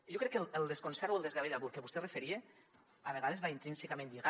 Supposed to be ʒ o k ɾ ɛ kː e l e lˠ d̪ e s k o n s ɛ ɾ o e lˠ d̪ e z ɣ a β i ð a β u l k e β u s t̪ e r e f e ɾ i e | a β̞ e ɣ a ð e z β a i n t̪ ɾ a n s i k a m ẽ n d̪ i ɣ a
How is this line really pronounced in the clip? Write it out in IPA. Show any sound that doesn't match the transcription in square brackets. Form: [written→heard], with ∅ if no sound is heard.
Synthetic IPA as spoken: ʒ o k ɾ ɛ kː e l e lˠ d̪ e s k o n s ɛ ɾ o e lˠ d̪ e z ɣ a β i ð a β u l k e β u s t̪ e r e f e ɾ i e | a β̞ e ɣ a ð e z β a i n t̪ ɾ [a→i] n s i k a m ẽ n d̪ i ɣ a